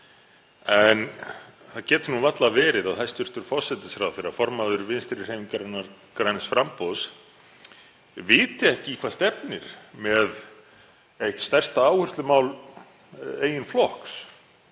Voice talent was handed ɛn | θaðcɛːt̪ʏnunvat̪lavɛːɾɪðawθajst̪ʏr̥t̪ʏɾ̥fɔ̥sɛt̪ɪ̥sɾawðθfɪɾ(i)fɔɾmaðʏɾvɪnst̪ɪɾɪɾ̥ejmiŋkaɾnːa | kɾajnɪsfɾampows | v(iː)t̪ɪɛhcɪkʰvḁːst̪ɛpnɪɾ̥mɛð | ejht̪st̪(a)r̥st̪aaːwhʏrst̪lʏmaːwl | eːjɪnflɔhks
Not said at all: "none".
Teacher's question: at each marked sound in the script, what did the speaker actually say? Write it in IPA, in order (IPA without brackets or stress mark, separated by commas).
a, ɪː, ɛ